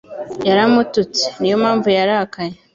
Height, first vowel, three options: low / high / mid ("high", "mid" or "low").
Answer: low